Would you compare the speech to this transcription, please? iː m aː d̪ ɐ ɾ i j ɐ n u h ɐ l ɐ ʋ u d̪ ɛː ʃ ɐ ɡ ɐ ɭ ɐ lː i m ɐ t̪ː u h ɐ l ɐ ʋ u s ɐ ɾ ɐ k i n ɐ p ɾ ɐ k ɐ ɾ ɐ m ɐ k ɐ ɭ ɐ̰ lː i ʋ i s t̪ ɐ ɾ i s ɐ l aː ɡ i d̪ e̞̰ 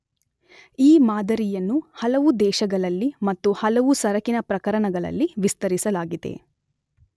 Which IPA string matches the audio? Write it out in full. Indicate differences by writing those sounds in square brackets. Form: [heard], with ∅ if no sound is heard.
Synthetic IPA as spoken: iː m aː d̪ ɐ ɾ i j ɐ [nː] u h ɐ l ɐ ʋ u d̪ ɛː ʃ ɐ ɡ ɐ ɭ ɐ lː i m ɐ t̪ː u h ɐ l ɐ ʋ u s ɐ ɾ ɐ k i n ɐ p ɾ ɐ k ɐ ɾ ɐ [ɳ] ɐ [ɡ] ɐ ɭ ɐ̰ lː i ʋ i s t̪ ɐ ɾ i s ɐ l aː ɡ i d̪ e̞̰